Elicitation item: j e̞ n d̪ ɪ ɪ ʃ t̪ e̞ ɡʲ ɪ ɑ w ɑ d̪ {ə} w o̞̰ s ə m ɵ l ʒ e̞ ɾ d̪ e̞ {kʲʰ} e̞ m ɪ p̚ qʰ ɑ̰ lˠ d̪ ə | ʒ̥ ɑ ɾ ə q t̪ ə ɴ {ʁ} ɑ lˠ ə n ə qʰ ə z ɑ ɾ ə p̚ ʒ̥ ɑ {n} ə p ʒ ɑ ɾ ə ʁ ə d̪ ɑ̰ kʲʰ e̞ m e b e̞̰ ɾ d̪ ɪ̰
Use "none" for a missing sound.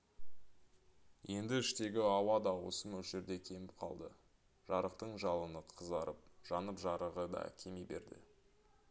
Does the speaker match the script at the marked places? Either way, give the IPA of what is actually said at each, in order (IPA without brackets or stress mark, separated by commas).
ɑ, kʲʰ, ʒ, n